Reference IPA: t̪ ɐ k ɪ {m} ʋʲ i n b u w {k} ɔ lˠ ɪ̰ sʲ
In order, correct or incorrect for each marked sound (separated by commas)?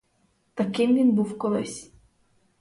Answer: correct, correct